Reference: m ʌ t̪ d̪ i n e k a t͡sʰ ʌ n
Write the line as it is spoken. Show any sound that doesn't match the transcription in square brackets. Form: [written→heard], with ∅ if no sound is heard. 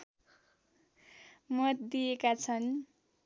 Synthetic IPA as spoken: m ʌ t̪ d̪ i [n→∅] e k a t͡sʰ ʌ n